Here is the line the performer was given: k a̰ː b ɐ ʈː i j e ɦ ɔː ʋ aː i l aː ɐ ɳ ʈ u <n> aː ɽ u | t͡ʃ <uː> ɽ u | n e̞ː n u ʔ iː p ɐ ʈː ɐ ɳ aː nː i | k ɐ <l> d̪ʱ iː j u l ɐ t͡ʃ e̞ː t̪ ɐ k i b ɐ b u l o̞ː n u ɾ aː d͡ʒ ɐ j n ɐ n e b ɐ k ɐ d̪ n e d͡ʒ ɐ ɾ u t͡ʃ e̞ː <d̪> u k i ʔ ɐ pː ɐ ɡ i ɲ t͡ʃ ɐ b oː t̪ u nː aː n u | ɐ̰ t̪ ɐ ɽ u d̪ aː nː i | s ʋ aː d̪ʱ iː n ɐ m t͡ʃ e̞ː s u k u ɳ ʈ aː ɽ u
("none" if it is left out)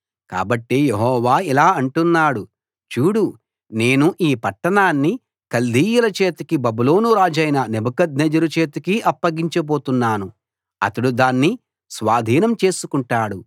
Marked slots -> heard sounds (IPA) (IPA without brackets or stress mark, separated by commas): nː, uː, l, t̪